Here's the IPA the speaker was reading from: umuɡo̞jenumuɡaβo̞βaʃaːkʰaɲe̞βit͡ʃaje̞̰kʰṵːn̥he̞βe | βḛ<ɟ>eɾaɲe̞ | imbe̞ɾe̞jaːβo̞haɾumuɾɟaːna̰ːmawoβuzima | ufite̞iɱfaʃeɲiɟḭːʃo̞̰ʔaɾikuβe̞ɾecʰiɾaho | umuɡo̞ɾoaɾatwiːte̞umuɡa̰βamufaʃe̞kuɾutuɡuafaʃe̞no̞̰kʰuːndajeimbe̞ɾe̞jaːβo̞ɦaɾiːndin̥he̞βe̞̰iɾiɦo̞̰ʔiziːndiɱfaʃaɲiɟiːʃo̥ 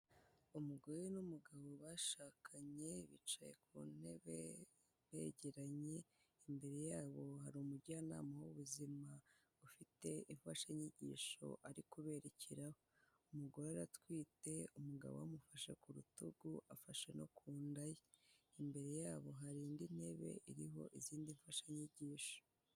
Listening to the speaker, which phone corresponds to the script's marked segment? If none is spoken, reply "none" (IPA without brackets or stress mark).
ɟ